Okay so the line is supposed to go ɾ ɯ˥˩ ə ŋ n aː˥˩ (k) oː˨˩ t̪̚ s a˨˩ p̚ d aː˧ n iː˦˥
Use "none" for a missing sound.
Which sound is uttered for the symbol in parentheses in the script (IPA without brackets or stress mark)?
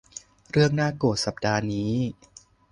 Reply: k